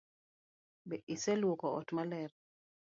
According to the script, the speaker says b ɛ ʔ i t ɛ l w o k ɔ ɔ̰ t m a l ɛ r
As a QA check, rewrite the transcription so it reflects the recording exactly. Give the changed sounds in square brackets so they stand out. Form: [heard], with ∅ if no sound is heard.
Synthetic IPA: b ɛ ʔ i [s] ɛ l w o k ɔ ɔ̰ t m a l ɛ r